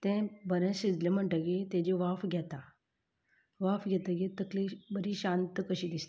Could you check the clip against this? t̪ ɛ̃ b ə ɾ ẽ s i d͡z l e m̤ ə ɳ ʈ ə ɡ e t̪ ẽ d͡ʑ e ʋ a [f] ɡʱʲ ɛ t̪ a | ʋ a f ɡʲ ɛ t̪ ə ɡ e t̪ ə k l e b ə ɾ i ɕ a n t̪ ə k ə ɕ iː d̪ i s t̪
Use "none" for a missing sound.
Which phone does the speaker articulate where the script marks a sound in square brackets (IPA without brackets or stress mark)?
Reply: f